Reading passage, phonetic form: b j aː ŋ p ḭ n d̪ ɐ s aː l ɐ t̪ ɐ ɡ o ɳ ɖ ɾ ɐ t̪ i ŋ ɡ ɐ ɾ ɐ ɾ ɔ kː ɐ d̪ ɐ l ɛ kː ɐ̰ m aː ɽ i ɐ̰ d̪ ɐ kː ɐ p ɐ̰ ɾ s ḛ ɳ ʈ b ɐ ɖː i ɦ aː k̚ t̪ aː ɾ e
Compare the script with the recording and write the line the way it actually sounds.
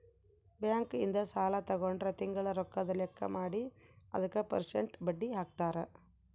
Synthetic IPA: b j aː ŋ k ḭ n d̪ ɐ s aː l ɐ t̪ ɐ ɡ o ɳ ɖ ɾ ɐ t̪ i ŋ ɡ ɐ ɭ ɐ ɾ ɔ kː ɐ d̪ ɐ l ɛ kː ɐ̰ m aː ɽ i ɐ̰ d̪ ɐ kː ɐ p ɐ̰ ɾ s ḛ ɳ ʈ b ɐ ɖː i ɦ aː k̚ t̪ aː ɾ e